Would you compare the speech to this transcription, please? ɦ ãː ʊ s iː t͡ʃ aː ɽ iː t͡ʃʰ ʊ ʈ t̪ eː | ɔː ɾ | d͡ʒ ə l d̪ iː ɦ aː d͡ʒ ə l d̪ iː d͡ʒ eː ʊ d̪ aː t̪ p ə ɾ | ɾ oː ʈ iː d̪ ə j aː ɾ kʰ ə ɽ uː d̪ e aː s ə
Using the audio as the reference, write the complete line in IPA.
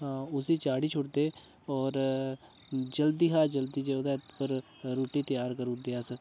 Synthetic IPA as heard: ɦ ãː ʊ s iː t͡ʃ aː ɽ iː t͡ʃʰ ʊ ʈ d̪ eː | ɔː ɾ | d͡ʒ ə l d̪ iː ɦ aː d͡ʒ ə l d̪ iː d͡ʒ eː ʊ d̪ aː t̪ p ə ɾ | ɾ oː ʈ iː t̪ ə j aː ɾ k ə ɾ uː d̪ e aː s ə